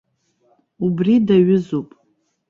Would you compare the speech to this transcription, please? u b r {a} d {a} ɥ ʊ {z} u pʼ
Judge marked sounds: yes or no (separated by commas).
no, yes, yes